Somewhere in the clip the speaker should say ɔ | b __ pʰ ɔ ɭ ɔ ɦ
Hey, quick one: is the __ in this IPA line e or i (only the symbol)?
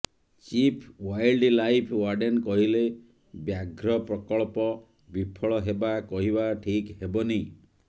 i